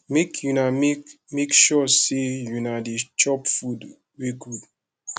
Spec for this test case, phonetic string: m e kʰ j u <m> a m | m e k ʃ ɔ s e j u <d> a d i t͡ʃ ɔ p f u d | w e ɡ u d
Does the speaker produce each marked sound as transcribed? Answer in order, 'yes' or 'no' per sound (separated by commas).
no, no